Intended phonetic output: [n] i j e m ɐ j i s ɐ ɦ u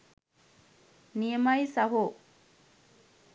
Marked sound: correct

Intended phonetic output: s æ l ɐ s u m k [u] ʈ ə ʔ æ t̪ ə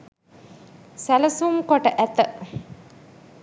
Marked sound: incorrect: o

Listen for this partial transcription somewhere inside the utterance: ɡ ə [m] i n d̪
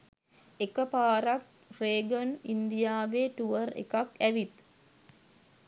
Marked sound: incorrect: n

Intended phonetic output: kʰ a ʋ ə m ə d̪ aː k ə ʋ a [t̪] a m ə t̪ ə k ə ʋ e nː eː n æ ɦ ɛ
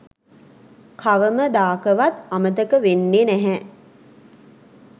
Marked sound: correct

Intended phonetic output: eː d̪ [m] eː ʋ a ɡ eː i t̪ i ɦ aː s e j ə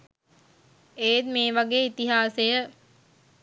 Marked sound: correct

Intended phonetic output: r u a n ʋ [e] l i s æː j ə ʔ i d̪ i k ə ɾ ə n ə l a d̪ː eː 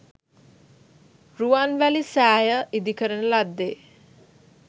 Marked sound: incorrect: æ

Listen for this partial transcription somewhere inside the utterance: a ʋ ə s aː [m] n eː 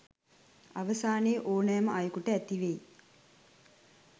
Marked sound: incorrect: none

